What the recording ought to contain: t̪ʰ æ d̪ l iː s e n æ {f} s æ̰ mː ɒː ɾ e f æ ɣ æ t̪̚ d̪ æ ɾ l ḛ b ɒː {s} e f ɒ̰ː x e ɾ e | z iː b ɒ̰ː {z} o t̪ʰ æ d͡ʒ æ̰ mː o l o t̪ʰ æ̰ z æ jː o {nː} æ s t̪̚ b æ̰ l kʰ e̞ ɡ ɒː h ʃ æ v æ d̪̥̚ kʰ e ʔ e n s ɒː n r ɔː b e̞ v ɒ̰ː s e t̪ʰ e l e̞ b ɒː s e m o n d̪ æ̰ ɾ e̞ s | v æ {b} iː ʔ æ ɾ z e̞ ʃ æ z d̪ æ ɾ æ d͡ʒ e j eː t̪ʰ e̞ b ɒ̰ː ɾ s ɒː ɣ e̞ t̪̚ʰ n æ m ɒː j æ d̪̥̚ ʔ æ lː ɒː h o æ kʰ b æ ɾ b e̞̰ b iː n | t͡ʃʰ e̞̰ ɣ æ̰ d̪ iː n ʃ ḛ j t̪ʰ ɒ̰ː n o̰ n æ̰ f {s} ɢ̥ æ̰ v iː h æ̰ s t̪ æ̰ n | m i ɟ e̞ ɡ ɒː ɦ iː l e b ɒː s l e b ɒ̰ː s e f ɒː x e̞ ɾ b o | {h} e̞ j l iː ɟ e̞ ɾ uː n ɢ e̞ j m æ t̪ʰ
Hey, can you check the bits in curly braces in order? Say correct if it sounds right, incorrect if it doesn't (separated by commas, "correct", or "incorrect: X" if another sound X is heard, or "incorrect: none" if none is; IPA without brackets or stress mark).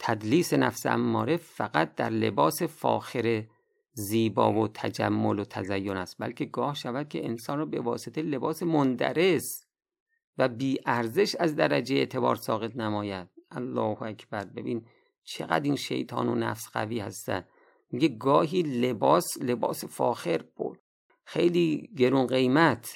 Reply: correct, correct, incorrect: v, incorrect: n, correct, correct, incorrect: x